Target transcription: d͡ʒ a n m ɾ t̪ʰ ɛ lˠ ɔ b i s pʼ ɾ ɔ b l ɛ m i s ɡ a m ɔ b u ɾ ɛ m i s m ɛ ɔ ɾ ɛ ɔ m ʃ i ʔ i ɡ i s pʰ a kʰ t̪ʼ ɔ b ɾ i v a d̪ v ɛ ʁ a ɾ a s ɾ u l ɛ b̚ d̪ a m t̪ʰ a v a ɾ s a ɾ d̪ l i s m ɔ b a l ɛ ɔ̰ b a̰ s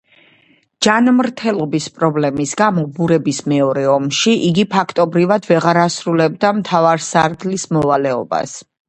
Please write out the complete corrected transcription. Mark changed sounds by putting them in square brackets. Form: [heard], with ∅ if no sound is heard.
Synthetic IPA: d͡ʒ a n m ɾ t̪ʰ ɛ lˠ ɔ b i s pʼ ɾ ɔ b l ɛ m i s ɡ a m ɔ b u ɾ ɛ [b] i s m ɛ ɔ ɾ ɛ ɔ m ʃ i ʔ i ɡ i [∅] pʰ a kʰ t̪ʼ ɔ b ɾ i v a d̪ v ɛ ʁ a ɾ a s ɾ u l ɛ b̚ d̪ a m t̪ʰ a v a ɾ s a ɾ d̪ l i s m ɔ [v] a l ɛ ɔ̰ b a̰ s